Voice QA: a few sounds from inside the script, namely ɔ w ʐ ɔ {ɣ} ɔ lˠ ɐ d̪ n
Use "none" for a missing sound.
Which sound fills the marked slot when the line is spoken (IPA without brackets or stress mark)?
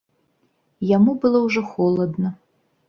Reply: x